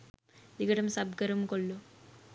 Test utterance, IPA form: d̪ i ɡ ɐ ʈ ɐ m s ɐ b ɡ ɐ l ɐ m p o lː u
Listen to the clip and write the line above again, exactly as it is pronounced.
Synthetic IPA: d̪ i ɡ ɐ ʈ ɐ m s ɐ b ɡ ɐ ɾ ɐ m k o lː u